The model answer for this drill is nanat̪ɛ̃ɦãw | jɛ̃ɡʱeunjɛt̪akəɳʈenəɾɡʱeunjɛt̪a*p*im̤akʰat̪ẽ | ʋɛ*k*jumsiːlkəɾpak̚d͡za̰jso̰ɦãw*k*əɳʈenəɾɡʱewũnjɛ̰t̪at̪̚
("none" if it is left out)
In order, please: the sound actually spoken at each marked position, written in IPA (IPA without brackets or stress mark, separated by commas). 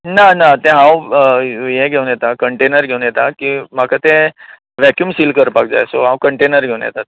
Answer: k, k, k